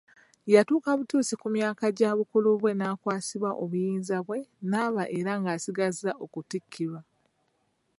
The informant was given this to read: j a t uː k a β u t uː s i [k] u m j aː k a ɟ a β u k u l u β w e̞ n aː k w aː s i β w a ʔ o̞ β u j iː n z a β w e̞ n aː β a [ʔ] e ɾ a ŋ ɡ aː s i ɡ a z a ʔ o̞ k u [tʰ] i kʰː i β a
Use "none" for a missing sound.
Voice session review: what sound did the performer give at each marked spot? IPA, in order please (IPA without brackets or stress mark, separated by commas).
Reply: k, ʔ, t